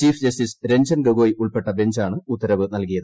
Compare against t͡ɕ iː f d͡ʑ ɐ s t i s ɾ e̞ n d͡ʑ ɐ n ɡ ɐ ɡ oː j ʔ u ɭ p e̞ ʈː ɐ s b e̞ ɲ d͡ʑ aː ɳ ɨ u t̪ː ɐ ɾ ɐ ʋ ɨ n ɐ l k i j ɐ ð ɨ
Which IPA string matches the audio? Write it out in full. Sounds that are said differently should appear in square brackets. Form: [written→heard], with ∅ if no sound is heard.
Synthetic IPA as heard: t͡ɕ iː f d͡ʑ ɐ s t i s ɾ e̞ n d͡ʑ ɐ n ɡ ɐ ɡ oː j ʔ u ɭ p e̞ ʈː ɐ [s→∅] b e̞ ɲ d͡ʑ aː ɳ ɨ u t̪ː ɐ ɾ ɐ ʋ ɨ n ɐ l k i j ɐ ð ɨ